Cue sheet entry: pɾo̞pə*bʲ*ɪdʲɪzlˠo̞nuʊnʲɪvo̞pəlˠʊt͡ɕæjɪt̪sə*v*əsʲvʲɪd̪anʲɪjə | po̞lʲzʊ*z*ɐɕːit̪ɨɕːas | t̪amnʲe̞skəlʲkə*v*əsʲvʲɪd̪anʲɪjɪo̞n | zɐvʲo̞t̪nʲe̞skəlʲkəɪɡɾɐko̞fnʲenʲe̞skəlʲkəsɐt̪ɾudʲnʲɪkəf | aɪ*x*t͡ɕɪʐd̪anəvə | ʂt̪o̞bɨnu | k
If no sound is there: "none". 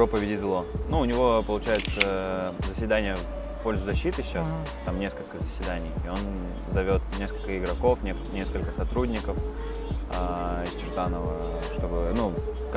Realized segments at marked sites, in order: vʲ, z, z, z, s

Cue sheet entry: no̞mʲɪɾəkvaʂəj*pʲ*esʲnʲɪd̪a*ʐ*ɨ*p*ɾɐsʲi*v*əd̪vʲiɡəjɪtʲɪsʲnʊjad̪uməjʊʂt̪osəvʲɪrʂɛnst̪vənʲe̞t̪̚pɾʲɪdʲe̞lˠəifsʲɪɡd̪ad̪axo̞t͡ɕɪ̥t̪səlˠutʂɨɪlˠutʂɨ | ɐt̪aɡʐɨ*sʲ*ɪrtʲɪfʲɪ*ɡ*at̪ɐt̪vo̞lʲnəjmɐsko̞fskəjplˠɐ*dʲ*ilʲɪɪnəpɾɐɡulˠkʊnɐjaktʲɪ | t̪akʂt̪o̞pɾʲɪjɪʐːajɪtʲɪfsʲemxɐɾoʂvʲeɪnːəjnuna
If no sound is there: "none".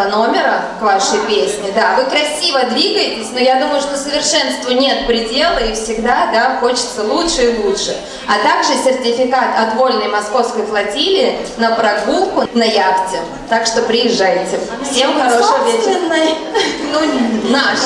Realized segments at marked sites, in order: pʲ, v, k, v, sʲ, k, tʲ

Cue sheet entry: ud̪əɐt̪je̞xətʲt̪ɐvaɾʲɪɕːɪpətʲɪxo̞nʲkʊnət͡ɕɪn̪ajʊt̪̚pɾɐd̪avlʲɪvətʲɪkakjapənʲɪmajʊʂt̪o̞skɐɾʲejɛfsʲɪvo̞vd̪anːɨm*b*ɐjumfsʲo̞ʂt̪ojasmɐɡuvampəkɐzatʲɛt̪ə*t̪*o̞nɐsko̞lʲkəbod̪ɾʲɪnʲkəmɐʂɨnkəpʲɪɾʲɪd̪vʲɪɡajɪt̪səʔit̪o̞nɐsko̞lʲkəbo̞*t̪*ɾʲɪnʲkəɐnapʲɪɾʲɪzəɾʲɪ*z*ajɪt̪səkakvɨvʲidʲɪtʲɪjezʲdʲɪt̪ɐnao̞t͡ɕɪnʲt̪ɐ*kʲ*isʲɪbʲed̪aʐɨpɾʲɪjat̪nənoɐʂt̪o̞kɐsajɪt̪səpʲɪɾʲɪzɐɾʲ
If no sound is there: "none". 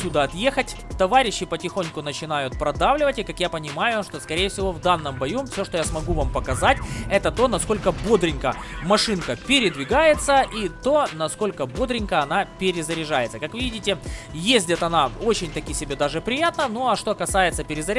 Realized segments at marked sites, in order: b, t̪, d̪, ʐ, kʲ

